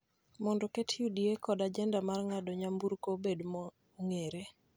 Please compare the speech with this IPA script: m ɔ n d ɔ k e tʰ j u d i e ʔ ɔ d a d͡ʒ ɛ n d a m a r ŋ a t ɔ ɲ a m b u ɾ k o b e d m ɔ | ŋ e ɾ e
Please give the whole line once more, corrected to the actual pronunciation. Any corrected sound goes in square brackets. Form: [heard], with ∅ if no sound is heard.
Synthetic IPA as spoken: m ɔ n d ɔ k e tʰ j u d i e [k] ɔ d a d͡ʒ ɛ n d a m a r ŋ a [d] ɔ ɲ a m b u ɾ k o b e d m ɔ | ŋ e ɾ e